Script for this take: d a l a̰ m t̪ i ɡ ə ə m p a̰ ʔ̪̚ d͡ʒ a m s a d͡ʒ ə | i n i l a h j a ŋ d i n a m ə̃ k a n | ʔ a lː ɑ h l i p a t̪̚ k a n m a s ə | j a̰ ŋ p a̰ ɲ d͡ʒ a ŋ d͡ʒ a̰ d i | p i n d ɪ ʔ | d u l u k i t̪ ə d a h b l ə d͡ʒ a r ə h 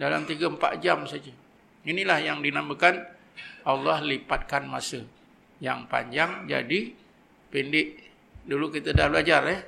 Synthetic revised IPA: d a l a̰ m t̪ i ɡ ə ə m p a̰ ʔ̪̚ d͡ʒ a m s a d͡ʒ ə | i n i l a h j a ŋ d i n a m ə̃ k a n | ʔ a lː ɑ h l i p a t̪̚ k a n m a s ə | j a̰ ŋ p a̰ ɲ d͡ʒ a ŋ d͡ʒ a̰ d i | p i n d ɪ ʔ | d u l u k i t̪ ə d a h b l a d͡ʒ a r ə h